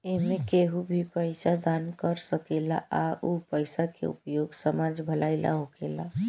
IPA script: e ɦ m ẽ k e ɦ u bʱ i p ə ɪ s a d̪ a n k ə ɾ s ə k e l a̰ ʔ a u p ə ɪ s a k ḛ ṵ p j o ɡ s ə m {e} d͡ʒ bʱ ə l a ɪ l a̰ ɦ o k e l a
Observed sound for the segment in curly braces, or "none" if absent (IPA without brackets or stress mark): a